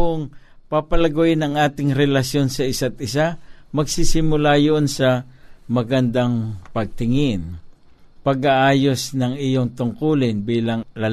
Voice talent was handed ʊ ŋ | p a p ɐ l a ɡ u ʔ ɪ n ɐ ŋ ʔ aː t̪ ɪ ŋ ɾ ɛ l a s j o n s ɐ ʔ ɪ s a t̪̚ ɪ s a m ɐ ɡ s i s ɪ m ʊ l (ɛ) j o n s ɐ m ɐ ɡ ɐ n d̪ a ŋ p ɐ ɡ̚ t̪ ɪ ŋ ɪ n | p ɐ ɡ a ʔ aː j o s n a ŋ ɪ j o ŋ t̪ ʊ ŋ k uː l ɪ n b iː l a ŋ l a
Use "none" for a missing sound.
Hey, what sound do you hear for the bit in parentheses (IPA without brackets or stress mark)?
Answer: a